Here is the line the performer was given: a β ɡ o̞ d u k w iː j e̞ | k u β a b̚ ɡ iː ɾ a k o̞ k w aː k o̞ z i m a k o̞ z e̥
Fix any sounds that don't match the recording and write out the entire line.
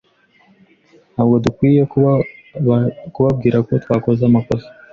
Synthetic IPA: a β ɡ o̞ d u k w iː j e̞ | k u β a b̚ ɡ iː ɾ a k o̞ t w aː k o̞ z a m a k o̞ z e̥